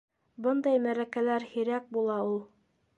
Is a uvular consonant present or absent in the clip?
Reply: absent